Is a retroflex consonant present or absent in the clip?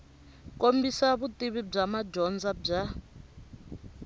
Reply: present